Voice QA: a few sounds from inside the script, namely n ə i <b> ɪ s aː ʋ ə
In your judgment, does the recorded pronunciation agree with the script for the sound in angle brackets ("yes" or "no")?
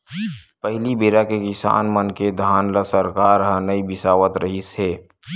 yes